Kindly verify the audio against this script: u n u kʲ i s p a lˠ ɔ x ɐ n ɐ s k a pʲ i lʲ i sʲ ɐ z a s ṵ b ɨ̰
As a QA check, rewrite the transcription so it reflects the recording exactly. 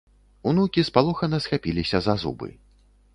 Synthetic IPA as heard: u n u kʲ i s p a lˠ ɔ x ɐ n ɐ s x a pʲ i lʲ i sʲ ɐ z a z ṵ b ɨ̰

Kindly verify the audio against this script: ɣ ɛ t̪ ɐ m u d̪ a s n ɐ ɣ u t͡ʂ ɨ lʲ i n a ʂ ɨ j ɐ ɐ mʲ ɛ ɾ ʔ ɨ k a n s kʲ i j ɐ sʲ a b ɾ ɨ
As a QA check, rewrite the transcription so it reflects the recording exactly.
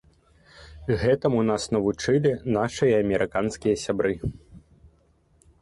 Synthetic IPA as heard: ɣ ɛ t̪ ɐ m u n̪ a s n ɐ v u t͡ʂ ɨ lʲ i n a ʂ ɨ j ɐ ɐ mʲ ɛ ɾ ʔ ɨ k a n s kʲ i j ɐ sʲ a b ɾ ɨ

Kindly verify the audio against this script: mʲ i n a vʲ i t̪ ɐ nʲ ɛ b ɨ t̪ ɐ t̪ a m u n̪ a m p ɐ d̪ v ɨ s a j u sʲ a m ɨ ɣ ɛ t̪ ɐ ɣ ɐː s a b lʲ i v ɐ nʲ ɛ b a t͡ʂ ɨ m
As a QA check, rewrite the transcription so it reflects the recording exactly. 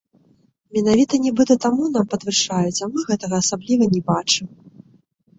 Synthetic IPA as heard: mʲ ɛ n a vʲ i t̪ ɐ nʲ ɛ b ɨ t̪ ɐ t̪ a m u n̪ a m p ɐ d̪ v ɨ ʂ a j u t͡sʲ a m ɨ ɣ ɛ t̪ ɐ ɣ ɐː s a b lʲ i v ɐ nʲ ɛ b a t͡ʂ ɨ m

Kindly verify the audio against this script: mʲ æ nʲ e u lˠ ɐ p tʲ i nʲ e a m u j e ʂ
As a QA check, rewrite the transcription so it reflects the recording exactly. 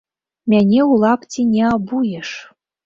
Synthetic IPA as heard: mʲ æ nʲ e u lˠ ɑ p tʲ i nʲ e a b u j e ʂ

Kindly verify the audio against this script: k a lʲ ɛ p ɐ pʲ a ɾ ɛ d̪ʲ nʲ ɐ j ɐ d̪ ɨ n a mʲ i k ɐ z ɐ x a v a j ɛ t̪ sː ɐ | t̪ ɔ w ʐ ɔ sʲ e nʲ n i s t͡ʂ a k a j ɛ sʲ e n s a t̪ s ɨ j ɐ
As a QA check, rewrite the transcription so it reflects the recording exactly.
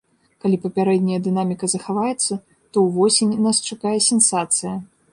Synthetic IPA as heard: k a lʲ i p ɐ pʲ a ɾ ɛ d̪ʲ nʲ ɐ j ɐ d̪ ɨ n a mʲ i k ɐ z ɐ x a v a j ɛ t̪ sː ɐ | t̪ ɔ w v ɔ sʲ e nʲ n a s t͡ʂ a k a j ɛ sʲ ɛ n s a t̪ s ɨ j ɐ

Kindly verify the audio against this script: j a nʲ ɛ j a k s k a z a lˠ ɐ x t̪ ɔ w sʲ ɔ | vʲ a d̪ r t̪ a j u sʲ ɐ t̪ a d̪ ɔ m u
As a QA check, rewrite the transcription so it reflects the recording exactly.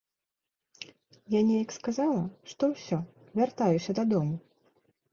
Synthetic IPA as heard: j a nʲ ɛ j ɐ k s k a z a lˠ ɐ ʂ t̪ ɔ w sʲ ɔ | vʲ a r t̪ a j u sʲ ɐ d̪ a d̪ ɔ m u

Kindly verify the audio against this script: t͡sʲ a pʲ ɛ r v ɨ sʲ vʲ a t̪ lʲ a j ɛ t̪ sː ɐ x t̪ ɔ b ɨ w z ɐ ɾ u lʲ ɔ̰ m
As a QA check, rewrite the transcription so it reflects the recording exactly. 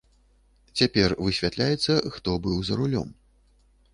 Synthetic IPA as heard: t͡sʲ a pʲ ɛ r v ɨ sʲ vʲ a t̪ lʲ a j ɛ t̪ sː ɐ x t̪ ɔ b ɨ w z ɐ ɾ u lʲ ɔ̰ m

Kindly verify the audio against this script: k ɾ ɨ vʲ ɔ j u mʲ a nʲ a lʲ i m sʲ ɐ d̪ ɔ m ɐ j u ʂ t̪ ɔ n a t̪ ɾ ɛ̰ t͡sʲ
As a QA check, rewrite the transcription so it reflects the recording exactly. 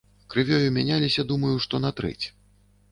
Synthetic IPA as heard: k ɾ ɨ vʲ ɔ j u mʲ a nʲ a lʲ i sʲ ɐ d̪ u m ɐ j u ʂ t̪ ɔ n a t̪ ɾ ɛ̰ t͡sʲ

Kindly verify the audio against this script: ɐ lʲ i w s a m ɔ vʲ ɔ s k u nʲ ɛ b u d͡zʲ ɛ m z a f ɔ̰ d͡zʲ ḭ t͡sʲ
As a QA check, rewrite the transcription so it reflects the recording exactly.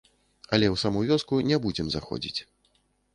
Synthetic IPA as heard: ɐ lʲ ɛ w s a m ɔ vʲ ɔ s k u nʲ ɛ b u d͡zʲ ɛ m z a x ɔ̰ d͡zʲ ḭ t͡sʲ

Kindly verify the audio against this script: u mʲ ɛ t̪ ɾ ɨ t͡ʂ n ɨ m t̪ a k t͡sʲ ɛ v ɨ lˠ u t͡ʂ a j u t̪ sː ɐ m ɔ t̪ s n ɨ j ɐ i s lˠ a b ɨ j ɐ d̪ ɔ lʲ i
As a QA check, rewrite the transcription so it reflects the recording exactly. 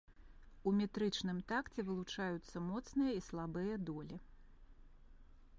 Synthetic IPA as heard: u mʲ ɛ t̪ ɾ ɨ t͡ʂ n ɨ m t̪ a k t͡sʲ ɛ v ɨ lˠ u t͡ʂ a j u t̪ sː ɐ m ɔ t̪ s n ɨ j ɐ i s lˠ a b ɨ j ɐ d̪ ɔ lʲ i

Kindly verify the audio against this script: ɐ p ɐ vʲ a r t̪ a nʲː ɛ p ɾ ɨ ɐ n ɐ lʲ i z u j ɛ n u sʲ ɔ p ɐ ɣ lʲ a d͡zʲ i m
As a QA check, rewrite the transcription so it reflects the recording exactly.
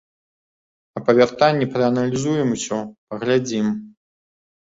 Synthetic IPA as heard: ɐ p ɐ vʲ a r t̪ a nʲː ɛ p ɾ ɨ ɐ n ɐ lʲ i z u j ɛ m u sʲ ɔ p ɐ ɣ lʲ a d͡zʲ i m

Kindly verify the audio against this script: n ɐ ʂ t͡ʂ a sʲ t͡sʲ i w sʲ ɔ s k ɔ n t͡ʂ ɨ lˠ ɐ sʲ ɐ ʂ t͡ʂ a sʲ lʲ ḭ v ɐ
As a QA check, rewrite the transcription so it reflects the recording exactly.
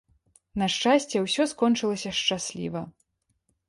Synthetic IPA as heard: n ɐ ʂ t͡ʂ a sʲ t͡sʲ ɛ w sʲ ɔ s k ɔ n t͡ʂ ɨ lˠ ɐ sʲ ɐ ʂ t͡ʂ a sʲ lʲ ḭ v ɐ

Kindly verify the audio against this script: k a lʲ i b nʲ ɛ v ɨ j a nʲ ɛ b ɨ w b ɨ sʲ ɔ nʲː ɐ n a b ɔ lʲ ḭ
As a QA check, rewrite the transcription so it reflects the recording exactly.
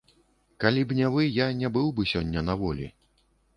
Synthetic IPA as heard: k a lʲ i b nʲ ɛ v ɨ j a nʲ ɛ b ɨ w b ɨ sʲ ɔ nʲː ɐ n a v ɔ lʲ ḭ

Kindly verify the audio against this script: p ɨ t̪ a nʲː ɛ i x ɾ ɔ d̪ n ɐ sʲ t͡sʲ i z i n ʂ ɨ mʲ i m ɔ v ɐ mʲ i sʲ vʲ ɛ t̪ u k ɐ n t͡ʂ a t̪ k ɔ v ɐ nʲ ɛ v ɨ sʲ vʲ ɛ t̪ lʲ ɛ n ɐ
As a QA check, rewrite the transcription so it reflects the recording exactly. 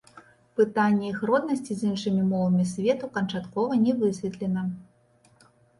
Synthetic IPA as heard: p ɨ t̪ a nʲː ɛ i x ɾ ɔ d̪ n ɐ sʲ t͡sʲ i z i n ʂ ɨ mʲ i m ɔ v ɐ mʲ i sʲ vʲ ɛ t̪ u k ɐ n t͡ʂ a t̪ k ɔ v ɐ nʲ ɛ v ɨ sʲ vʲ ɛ t̪ lʲ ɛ n ɐ

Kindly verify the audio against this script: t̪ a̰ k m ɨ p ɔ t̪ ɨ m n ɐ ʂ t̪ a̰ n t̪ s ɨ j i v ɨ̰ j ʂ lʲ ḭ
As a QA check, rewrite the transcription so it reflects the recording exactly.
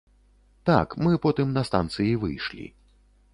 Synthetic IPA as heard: t̪ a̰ k m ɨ p ɔ t̪ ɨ m n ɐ s t̪ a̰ n t̪ s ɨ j i v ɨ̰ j ʂ lʲ ḭ

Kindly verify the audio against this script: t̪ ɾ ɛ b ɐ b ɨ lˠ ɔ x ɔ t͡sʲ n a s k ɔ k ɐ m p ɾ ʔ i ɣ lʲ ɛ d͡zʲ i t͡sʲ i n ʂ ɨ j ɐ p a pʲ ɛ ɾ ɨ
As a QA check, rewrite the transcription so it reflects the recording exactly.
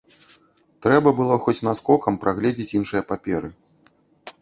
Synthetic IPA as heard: t̪ ɾ ɛ b ɐ b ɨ lˠ ɔ x ɔ t͡sʲ n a s k ɔ k ɐ m p ɾ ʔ a ɣ lʲ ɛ d͡zʲ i t͡sʲ i n ʂ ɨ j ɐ p a pʲ ɛ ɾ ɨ

